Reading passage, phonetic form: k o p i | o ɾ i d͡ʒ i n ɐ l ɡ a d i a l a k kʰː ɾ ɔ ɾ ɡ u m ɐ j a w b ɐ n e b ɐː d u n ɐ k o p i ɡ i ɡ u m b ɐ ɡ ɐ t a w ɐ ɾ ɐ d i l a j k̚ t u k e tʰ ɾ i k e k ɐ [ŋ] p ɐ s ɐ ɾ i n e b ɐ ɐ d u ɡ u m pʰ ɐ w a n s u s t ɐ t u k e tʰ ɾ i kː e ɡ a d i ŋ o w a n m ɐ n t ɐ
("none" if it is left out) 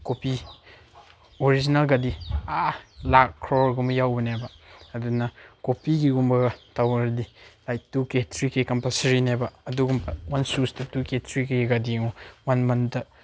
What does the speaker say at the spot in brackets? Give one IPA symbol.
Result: m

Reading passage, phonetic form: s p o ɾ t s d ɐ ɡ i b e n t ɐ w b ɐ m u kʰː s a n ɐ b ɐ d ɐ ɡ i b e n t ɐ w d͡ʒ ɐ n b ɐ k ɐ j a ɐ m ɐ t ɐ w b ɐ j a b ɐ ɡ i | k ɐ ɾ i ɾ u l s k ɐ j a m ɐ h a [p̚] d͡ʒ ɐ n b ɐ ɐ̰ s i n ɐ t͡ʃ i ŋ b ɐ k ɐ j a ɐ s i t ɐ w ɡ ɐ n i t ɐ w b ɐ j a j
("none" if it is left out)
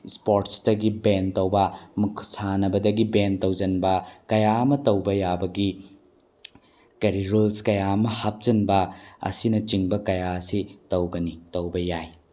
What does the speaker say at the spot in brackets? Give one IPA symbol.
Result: p̚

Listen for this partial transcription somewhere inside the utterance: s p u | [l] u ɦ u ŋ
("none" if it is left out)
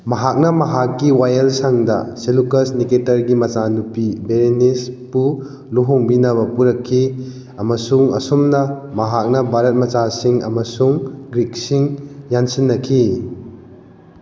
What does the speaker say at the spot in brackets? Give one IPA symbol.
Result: l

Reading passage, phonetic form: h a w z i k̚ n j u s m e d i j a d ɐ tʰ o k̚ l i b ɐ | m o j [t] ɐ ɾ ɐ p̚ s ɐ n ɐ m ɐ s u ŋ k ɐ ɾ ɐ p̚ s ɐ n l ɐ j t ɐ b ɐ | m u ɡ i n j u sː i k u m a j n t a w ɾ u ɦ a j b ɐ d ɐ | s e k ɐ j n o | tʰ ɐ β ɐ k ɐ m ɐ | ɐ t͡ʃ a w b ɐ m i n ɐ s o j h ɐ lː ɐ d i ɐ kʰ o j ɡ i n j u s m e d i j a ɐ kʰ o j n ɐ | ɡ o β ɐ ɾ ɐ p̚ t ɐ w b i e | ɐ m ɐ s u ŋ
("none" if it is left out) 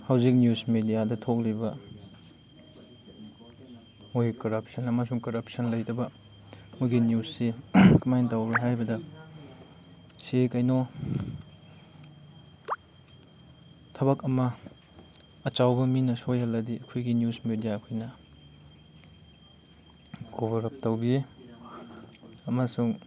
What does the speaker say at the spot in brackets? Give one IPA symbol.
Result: k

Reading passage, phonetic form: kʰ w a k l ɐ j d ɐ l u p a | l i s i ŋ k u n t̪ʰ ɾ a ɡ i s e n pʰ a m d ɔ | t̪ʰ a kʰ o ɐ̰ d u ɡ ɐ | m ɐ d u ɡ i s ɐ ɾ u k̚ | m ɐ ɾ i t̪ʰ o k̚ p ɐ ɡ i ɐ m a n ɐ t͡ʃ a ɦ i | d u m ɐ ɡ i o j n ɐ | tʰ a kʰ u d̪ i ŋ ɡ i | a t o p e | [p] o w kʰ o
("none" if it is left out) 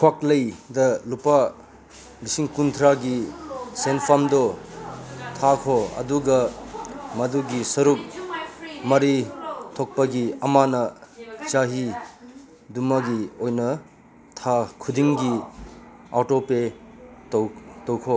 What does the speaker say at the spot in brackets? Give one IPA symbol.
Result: t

